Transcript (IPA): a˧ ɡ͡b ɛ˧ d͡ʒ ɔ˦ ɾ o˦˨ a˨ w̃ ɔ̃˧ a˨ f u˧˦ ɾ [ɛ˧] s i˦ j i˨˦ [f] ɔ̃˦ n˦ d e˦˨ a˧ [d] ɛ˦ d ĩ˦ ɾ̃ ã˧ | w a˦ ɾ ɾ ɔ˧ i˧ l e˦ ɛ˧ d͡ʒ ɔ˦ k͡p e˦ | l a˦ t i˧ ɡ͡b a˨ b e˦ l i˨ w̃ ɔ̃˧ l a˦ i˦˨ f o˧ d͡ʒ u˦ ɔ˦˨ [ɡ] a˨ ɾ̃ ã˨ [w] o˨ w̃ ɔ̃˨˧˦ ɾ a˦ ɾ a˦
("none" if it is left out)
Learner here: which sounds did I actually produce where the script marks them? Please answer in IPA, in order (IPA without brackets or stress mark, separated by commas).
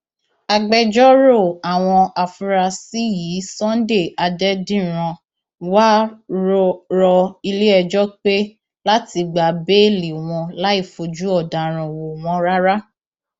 a˧, s, d, d, w